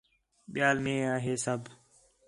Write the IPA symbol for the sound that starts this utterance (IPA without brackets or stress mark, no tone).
ɓ